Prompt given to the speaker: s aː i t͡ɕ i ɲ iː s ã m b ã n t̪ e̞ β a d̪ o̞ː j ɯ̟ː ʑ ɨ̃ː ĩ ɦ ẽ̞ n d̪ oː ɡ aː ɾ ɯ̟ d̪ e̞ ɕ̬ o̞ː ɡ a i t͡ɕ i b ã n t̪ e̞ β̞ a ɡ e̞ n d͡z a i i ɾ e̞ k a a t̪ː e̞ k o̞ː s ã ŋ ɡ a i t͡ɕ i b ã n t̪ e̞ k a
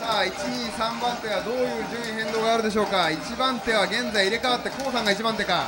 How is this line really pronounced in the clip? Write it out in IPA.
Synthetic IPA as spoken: s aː i t͡ɕ i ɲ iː s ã m b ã n t̪ e̞ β a d̪ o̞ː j ɯ̟ː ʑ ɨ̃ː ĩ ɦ ẽ̞ n d̪ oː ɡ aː ɾ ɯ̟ d̪ e̞ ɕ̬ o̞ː k a i t͡ɕ i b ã n t̪ e̞ β̞ a ɡ ẽ̞ n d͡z a i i ɾ e̞ k a a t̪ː e̞ k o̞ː s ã ŋ ɡ a i t͡ɕ i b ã n t̪ e̞ k a

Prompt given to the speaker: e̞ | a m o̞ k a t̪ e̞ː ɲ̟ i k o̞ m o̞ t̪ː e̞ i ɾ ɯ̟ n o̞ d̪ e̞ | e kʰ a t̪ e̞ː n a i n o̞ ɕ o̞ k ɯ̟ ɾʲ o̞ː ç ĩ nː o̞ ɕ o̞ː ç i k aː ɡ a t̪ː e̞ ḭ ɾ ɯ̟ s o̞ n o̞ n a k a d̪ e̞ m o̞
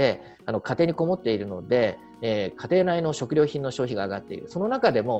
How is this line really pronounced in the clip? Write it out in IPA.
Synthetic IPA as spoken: e̞ | a n o̞ k a t̪ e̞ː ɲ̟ i k o̞ m o̞ t̪ː e̞ i ɾ ɯ̟ n o̞ d̪ e̞ | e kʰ a t̪ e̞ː n a i n o̞ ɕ o̞ k ɯ̟ ɾʲ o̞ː ç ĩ nː o̞ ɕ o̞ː ç i ɡ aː ɡ a t̪ː e̞ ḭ ɾ ɯ̟ s o̞ n o̞ n a k a d̪ e̞ m o̞

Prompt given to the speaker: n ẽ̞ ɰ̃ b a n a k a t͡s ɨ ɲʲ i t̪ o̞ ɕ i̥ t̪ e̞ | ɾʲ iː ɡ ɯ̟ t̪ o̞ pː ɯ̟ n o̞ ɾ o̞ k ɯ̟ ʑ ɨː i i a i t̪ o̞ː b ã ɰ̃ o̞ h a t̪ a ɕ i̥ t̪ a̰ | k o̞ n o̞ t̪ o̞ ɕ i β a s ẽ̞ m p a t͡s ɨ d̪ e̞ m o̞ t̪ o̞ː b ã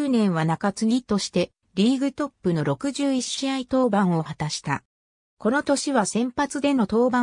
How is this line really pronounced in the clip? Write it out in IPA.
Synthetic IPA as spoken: n ẽ̞ ɰ̃ β a n a k a t͡s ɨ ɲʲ i t̪ o̞ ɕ i̥ t̪ e̞ | ɾʲ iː ɡ ɯ̟ t̪ o̞ pː ɯ̟ n o̞ ɾ o̞ k ɯ̟ ʑ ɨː i i a i t̪ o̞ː b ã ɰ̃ o̞ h a t̪ a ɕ i̥ t̪ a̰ | k o̞ n o̞ t̪ o̞ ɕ i β a s ẽ̞ m p a t͡s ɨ d̪ e̞ n o̞ t̪ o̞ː b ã

